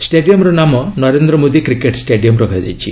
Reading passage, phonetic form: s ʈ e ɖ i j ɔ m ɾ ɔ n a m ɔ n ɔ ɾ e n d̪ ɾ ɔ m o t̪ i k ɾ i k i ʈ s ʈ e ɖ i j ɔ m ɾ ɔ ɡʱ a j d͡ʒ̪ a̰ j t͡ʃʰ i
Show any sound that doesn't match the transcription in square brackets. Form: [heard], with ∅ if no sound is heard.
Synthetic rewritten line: s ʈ e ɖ i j ɔ m ɾ ɔ n a m ɔ n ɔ ɾ e n d̪ ɾ ɔ m o [d̪] i k ɾ i k [e] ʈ s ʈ e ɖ i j ɔ m ɾ ɔ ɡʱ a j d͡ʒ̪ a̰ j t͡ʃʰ i